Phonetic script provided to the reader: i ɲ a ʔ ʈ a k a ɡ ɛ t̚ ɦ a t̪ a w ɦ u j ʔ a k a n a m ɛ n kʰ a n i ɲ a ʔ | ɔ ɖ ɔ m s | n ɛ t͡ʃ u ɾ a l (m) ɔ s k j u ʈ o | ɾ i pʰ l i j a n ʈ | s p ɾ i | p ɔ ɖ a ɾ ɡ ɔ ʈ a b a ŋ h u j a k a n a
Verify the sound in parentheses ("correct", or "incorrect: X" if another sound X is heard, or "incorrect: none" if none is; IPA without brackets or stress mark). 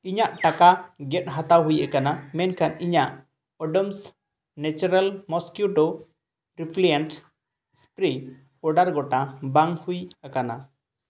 correct